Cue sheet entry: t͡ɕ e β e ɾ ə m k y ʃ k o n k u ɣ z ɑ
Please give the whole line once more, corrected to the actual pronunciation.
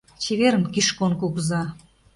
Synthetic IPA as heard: t͡ɕ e β e ɾ ə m k i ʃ k o n k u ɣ z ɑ